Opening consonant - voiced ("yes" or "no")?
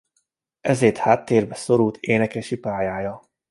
yes